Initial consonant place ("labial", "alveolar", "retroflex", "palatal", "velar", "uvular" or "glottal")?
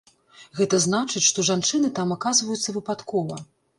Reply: velar